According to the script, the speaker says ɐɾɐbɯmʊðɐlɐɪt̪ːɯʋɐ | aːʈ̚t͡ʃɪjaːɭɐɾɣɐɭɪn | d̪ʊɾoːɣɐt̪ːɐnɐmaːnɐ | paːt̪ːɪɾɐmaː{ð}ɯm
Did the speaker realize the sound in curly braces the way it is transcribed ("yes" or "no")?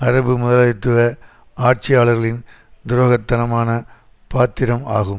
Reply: no